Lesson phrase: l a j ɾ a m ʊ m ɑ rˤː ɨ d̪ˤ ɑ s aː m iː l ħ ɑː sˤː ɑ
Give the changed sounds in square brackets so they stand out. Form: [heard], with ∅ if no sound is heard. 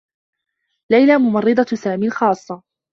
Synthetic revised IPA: l a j [l] a m ʊ m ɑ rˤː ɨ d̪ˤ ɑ s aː m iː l [x] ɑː sˤː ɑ